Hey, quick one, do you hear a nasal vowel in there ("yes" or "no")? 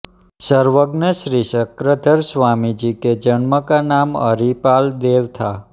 no